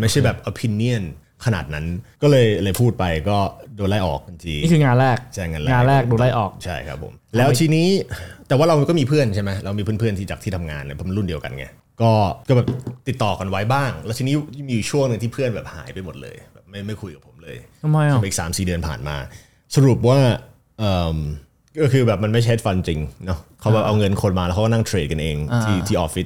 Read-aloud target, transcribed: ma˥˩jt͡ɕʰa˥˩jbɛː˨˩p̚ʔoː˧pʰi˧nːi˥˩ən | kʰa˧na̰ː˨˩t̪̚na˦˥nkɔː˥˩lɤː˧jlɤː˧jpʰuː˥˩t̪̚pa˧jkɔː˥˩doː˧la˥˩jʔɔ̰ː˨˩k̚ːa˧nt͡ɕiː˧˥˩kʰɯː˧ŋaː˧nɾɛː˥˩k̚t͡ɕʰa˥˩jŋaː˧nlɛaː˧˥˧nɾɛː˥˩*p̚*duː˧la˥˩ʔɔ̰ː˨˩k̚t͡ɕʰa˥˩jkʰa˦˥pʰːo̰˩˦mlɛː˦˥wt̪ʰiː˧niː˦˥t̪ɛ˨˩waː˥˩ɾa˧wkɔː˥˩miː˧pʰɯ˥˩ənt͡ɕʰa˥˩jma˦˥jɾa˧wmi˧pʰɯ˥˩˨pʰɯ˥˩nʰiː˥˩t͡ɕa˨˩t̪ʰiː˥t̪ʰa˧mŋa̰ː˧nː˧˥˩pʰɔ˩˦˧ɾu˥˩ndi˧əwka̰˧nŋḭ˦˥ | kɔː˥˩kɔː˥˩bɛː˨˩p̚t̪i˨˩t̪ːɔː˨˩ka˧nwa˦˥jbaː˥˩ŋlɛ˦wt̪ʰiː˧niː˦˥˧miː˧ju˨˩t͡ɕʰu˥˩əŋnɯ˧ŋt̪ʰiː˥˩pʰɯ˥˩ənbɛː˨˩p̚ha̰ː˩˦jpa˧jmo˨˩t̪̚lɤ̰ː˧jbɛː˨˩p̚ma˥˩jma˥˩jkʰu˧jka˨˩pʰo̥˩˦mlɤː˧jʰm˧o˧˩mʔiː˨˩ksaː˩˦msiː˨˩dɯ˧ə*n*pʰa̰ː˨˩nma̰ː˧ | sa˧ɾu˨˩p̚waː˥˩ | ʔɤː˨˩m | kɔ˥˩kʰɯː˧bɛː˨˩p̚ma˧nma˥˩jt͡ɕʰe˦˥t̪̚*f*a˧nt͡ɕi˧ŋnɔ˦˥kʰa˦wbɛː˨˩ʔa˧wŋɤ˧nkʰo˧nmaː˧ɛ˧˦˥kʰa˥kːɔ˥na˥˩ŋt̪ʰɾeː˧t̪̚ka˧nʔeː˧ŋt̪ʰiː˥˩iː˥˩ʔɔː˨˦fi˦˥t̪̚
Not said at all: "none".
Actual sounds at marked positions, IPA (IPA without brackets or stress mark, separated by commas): k̚, n, f